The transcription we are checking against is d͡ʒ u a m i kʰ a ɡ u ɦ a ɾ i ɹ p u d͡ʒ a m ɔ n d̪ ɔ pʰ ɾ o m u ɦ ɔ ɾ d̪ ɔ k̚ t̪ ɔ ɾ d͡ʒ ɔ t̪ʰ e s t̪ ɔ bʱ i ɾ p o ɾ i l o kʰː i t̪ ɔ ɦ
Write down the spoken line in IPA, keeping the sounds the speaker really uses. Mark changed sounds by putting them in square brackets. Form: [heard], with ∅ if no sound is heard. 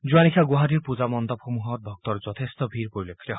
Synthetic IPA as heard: d͡ʒ u a [n] i kʰ a ɡ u ɦ a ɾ i [ɾ] p u d͡ʒ a m ɔ n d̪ ɔ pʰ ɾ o m u ɦ ɔ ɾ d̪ ɔ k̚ t̪ ɔ ɾ d͡ʒ ɔ t̪ʰ e s t̪ ɔ bʱ i ɾ p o ɾ i l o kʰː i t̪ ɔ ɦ